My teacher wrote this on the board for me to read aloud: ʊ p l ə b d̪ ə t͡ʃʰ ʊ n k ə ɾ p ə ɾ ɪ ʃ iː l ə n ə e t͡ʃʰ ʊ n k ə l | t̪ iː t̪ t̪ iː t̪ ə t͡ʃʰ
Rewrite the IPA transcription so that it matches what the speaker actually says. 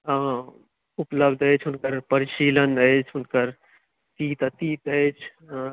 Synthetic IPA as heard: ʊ p l ə b d̪ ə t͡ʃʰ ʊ n k ə ɾ p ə ɾ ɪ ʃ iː l ə n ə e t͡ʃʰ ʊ n k ə ɾ | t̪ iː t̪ t̪ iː t̪ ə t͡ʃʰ